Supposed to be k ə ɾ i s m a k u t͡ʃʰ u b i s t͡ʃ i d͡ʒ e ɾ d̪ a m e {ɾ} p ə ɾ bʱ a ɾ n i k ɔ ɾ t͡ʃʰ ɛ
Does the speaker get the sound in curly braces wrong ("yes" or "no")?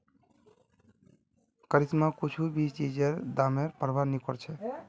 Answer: no